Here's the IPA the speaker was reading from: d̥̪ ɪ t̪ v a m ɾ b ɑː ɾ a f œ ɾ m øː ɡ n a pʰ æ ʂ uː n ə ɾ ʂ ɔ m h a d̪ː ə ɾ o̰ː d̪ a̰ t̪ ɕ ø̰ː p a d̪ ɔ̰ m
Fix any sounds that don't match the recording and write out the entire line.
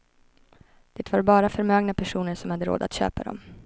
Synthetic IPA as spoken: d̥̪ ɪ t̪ v a ɾ b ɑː ɾ a f œ ɾ m øː ɡ n a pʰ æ ʂ uː n ə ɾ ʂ ɔ m h a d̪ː ə ɾ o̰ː d̪ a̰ t̪ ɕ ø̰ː p a d̪ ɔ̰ m